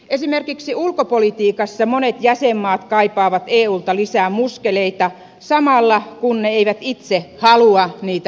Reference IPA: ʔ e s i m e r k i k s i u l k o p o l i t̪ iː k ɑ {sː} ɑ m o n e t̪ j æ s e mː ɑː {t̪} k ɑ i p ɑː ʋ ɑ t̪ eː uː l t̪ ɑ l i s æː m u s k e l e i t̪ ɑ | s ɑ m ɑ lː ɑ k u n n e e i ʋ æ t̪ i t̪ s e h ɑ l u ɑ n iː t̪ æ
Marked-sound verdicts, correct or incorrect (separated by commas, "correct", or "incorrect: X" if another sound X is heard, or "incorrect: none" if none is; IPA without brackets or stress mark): correct, correct